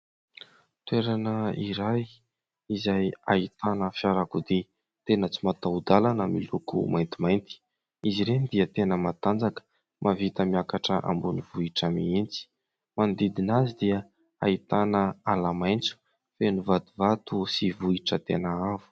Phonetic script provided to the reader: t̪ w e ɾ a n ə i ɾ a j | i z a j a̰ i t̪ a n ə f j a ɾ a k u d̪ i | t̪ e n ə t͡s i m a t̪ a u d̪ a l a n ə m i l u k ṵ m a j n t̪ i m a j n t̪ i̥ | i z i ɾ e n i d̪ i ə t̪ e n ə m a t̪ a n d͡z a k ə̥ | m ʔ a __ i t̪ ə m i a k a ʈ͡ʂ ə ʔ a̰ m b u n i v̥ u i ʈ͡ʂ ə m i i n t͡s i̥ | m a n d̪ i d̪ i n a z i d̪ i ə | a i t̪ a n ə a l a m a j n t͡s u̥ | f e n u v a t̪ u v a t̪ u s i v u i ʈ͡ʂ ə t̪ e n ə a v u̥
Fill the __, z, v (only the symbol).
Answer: v